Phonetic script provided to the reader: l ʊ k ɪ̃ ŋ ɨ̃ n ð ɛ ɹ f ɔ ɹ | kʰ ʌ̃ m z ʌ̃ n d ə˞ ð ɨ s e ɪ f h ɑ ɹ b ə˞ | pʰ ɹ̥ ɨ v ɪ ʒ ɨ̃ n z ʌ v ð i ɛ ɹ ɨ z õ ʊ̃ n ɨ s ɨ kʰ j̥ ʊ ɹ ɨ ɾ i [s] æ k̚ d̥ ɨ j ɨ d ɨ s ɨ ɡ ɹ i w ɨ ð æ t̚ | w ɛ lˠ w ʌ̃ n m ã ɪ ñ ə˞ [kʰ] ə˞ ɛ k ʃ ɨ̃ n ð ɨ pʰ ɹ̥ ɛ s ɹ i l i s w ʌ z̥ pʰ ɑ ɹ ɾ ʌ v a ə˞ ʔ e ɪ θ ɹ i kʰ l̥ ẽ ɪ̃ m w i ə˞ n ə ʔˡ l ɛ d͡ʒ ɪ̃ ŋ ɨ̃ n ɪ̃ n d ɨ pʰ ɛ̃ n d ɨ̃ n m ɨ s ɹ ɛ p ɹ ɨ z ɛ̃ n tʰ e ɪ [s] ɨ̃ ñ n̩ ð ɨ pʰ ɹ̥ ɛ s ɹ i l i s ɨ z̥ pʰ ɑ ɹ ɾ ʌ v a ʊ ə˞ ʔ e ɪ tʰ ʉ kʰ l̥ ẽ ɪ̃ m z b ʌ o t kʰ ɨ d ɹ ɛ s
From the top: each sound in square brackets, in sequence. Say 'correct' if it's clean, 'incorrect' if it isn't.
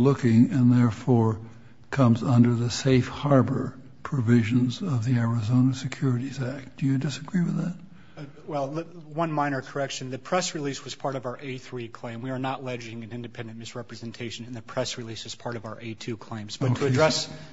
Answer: incorrect: z, correct, incorrect: ʃ

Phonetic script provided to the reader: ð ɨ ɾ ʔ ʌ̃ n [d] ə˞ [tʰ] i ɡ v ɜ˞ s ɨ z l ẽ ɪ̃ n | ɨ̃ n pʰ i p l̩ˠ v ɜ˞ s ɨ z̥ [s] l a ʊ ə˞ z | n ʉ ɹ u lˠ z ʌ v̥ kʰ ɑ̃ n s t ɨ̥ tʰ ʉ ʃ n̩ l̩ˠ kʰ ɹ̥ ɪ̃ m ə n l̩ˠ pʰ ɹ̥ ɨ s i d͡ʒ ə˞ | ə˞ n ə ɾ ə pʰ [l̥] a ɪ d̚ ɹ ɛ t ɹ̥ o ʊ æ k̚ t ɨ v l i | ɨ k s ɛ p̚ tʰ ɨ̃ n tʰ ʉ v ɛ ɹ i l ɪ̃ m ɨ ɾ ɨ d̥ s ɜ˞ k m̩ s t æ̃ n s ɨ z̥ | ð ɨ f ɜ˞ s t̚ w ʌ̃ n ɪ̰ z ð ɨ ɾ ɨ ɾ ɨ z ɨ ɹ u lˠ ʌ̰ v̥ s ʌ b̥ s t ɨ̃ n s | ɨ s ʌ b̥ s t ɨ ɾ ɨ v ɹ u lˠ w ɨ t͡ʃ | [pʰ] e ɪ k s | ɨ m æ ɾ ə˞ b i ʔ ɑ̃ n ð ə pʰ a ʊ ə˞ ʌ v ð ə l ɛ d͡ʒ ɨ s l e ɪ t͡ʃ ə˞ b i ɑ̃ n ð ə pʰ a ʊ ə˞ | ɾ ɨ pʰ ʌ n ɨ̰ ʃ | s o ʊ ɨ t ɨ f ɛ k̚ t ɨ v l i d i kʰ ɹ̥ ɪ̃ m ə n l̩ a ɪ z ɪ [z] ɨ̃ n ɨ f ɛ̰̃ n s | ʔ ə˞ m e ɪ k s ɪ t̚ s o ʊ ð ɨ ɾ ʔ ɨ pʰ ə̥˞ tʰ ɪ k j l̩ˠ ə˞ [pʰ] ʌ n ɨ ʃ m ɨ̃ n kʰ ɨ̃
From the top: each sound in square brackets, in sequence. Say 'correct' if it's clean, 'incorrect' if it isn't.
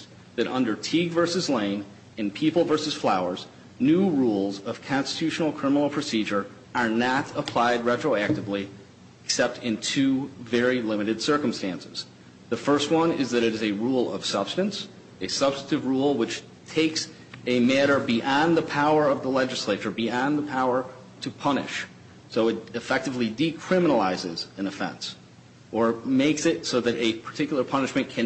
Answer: correct, correct, incorrect: f, correct, incorrect: tʰ, correct, correct

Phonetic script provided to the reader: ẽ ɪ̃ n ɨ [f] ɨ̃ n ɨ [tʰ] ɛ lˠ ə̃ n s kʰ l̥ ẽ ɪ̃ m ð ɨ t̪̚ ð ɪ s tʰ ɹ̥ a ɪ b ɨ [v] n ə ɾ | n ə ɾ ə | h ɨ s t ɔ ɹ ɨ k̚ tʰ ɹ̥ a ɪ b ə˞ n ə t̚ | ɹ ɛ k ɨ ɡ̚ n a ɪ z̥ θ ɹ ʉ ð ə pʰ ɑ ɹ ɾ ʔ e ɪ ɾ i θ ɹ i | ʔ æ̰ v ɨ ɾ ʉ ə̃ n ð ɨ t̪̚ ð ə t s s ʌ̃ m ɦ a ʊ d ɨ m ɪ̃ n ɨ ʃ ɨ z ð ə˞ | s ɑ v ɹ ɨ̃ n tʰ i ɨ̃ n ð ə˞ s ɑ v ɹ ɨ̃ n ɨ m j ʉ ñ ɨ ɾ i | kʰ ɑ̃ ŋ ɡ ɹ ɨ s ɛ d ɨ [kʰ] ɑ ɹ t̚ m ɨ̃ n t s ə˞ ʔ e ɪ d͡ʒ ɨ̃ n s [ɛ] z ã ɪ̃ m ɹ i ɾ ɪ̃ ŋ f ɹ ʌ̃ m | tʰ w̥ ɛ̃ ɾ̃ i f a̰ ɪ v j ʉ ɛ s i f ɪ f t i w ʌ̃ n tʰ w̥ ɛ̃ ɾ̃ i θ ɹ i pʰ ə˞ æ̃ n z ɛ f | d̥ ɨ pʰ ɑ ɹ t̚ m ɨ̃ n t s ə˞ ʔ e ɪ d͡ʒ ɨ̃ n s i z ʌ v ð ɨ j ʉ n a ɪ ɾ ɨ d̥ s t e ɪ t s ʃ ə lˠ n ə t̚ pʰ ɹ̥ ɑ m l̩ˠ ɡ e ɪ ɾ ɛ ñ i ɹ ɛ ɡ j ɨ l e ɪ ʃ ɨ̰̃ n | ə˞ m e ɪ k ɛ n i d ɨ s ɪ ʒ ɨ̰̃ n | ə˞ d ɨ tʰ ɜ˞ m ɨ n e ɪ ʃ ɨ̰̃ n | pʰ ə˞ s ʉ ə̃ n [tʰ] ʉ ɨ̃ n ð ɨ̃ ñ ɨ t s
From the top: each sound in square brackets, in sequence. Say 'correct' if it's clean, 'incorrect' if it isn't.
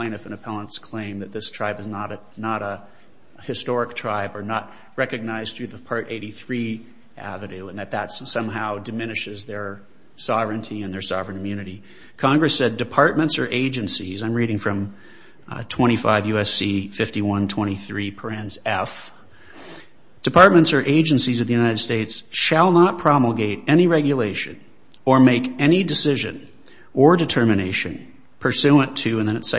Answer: correct, incorrect: pʰ, incorrect: z, incorrect: pʰ, incorrect: i, correct

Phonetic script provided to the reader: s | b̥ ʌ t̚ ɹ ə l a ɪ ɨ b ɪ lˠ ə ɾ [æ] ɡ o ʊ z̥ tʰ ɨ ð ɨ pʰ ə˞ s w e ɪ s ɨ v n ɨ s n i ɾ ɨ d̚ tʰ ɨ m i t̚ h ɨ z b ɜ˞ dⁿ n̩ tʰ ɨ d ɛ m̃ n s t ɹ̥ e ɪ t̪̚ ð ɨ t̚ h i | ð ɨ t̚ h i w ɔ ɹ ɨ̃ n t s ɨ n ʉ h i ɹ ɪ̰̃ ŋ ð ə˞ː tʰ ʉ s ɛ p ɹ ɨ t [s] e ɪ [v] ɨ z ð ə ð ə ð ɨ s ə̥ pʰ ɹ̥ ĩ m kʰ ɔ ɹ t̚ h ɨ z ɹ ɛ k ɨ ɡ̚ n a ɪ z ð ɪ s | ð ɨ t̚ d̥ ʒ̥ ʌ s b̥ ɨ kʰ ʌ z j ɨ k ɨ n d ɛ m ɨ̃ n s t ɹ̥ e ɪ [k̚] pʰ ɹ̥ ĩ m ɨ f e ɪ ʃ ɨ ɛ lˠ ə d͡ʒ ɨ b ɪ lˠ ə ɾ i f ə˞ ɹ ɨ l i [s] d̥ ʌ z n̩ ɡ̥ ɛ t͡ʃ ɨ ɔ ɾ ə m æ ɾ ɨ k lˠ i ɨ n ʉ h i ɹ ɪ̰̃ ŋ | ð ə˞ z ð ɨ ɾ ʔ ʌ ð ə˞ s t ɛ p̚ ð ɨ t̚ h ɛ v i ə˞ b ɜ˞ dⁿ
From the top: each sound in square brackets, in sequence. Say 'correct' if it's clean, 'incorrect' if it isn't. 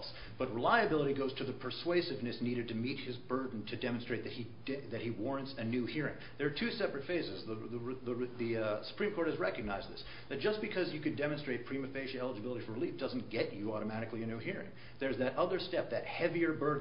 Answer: incorrect: i, incorrect: f, incorrect: z, incorrect: t̚, incorrect: f

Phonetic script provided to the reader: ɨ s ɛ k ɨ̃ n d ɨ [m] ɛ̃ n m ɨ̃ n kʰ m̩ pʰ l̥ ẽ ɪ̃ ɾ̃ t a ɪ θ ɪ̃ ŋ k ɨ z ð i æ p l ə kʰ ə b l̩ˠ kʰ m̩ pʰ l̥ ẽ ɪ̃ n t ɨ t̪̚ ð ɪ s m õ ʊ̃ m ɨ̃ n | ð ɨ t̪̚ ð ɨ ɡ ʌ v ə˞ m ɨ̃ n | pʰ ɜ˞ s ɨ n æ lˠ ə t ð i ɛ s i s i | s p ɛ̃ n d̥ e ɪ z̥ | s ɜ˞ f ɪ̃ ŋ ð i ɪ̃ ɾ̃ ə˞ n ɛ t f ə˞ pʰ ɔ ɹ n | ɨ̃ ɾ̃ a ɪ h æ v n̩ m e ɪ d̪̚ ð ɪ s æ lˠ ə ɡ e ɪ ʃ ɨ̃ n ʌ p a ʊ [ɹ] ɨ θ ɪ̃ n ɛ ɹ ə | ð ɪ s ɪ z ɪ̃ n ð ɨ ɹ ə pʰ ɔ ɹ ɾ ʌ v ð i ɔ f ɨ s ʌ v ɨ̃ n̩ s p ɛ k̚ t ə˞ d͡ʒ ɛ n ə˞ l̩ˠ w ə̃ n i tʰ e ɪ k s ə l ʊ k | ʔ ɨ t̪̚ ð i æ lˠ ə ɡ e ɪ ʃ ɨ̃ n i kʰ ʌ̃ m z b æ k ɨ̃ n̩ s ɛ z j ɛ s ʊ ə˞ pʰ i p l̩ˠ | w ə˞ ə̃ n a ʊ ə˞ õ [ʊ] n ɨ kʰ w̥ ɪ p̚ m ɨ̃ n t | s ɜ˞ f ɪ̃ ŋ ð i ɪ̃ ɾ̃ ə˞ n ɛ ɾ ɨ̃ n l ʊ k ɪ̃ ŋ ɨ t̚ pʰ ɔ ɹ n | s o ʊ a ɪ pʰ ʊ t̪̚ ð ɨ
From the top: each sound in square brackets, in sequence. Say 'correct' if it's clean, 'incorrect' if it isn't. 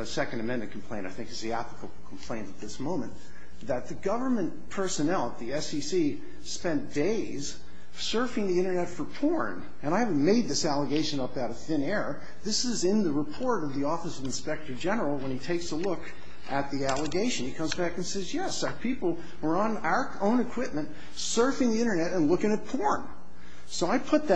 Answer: correct, incorrect: ɾ, incorrect: ʊ̃

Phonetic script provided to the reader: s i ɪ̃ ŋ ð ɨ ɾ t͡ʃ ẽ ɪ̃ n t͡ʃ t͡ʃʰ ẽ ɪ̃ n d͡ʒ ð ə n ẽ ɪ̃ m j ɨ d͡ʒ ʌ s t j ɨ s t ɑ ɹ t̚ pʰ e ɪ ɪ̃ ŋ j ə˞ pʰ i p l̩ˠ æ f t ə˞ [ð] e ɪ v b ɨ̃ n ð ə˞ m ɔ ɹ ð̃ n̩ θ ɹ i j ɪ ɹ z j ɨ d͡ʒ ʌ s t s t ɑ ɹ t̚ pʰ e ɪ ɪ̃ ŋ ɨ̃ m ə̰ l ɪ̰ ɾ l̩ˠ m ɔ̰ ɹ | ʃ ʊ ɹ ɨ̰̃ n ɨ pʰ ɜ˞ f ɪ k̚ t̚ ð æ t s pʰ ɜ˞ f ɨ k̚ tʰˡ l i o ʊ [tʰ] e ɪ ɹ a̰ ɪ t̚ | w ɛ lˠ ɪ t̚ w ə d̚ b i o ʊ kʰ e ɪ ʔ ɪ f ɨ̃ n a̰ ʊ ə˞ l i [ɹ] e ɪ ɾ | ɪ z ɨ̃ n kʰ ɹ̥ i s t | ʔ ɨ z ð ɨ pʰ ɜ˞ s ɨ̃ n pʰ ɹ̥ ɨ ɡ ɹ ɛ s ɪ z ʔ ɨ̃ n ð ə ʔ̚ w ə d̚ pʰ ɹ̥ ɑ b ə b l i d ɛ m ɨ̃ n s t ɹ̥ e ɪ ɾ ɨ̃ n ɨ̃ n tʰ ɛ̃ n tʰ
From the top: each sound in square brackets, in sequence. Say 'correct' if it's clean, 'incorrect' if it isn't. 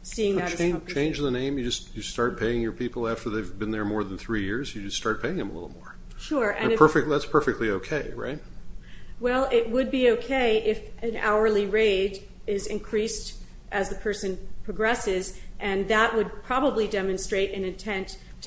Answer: correct, incorrect: kʰ, correct

